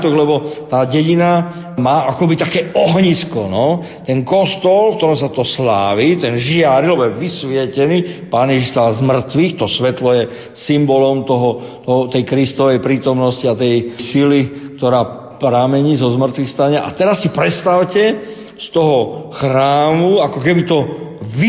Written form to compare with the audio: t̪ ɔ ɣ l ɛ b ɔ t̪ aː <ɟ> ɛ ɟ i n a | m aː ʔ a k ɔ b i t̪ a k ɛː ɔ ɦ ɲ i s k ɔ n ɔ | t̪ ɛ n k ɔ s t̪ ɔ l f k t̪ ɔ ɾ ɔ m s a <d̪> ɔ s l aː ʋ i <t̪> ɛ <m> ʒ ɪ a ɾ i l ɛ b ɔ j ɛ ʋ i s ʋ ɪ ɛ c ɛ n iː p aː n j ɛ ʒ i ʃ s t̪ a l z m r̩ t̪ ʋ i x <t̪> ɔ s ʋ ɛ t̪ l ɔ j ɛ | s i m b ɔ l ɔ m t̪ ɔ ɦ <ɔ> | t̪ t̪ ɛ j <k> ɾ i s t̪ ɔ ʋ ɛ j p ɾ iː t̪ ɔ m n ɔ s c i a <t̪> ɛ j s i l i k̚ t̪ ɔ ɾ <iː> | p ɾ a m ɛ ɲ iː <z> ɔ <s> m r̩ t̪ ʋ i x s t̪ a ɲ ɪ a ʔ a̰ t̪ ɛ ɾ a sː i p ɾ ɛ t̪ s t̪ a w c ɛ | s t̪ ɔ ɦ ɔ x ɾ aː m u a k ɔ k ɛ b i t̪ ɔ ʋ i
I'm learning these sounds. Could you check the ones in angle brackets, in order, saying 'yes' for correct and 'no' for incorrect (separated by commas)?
yes, no, yes, no, yes, yes, yes, yes, no, yes, no